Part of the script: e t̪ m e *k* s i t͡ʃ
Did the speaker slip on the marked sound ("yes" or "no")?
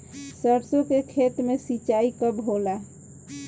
yes